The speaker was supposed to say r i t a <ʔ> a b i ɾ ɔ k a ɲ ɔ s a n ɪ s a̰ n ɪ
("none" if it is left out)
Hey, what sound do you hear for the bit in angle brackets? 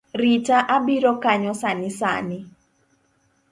ʔ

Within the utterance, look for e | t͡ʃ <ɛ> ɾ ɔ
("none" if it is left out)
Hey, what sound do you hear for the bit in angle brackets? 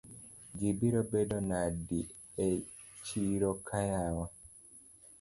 i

